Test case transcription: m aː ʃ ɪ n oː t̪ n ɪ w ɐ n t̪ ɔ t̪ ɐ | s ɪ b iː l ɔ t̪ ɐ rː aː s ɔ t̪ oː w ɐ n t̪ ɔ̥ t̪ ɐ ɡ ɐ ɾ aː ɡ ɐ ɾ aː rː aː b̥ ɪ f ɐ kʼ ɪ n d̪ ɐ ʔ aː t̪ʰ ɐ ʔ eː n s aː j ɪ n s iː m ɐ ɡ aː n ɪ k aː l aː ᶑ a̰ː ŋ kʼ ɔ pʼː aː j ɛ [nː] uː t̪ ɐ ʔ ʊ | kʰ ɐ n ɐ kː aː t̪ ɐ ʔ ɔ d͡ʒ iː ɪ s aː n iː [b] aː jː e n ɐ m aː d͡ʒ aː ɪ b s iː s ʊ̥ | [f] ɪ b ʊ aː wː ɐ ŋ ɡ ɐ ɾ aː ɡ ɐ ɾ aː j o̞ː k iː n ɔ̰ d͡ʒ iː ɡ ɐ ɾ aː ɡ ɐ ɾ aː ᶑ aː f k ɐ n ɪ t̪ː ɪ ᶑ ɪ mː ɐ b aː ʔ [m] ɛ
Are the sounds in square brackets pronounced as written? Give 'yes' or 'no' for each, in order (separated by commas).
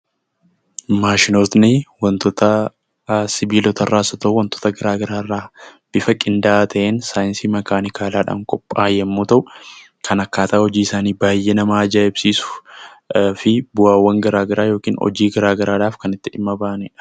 no, yes, yes, no